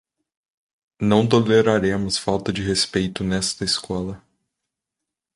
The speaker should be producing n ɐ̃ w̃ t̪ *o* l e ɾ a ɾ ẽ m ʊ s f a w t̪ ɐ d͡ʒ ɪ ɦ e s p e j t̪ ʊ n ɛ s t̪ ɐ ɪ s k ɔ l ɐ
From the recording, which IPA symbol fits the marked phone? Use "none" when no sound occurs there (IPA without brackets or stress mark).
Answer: o